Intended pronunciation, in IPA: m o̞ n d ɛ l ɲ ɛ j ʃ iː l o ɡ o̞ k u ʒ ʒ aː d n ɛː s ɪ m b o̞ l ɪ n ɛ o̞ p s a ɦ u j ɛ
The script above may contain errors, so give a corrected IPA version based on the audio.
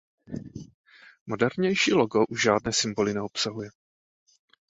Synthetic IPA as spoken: m o̞ d ɛ ɾ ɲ ɛ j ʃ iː l o ɡ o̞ ʔ u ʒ ʒ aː d n ɛː s ɪ m b o̞ l ɪ n ɛ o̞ p s a ɦ u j ɛ